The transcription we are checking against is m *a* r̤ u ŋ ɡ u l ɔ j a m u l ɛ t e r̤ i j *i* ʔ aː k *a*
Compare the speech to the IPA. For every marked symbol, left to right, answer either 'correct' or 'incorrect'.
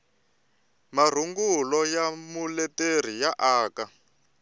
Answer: correct, incorrect, correct

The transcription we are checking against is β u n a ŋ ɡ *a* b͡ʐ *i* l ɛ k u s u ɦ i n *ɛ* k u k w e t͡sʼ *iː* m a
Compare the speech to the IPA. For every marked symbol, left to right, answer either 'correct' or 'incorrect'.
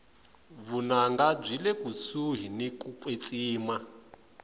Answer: correct, correct, incorrect, correct

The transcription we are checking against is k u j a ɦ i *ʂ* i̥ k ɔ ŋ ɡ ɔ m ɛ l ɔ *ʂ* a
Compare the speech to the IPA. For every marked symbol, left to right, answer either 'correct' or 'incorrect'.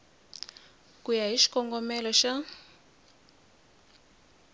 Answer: incorrect, incorrect

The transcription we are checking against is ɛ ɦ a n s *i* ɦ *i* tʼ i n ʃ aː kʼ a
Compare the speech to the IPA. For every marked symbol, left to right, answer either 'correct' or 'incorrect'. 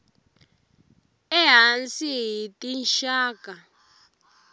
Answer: correct, correct

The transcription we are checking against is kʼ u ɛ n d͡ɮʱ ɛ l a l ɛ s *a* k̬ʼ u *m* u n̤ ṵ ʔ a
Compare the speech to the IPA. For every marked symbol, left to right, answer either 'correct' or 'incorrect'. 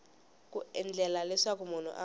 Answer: correct, correct

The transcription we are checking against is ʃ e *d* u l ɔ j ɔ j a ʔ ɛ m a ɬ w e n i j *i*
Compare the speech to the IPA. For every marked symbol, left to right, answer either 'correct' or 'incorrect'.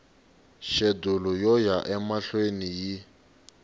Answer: correct, correct

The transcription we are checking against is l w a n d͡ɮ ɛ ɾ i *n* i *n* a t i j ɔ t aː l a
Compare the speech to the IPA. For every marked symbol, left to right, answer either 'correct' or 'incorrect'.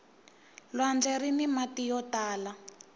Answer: correct, incorrect

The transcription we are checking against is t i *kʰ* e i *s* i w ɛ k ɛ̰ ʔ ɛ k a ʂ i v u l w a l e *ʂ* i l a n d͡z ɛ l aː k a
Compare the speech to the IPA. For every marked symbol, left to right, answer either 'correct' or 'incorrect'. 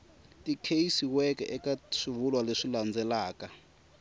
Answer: correct, correct, correct

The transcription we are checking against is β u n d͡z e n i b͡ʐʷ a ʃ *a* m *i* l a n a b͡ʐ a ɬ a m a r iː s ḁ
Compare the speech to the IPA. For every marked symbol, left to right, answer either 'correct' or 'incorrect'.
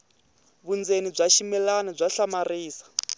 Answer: incorrect, incorrect

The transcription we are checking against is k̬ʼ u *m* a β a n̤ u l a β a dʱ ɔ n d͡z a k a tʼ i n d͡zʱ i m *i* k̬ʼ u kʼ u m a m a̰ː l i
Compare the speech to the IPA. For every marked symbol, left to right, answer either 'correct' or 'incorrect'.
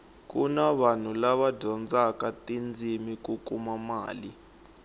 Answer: incorrect, correct

